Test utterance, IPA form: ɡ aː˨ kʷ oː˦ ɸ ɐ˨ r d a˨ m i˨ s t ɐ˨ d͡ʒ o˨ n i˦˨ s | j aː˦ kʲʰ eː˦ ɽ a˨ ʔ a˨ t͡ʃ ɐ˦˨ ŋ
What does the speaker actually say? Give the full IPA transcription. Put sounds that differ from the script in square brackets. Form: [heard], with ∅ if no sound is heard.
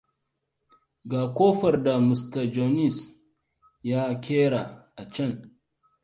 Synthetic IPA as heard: ɡ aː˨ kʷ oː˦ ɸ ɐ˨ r d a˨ m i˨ s t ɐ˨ d͡ʒ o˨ n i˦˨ s | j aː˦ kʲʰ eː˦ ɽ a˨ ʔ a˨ t͡ʃ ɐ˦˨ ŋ